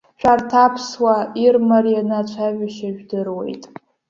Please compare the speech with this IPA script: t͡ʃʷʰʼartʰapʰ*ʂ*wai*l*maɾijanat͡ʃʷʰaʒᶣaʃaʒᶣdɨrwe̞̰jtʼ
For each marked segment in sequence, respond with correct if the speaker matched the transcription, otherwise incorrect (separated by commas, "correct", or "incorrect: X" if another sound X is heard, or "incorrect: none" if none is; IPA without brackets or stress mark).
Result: incorrect: s, incorrect: r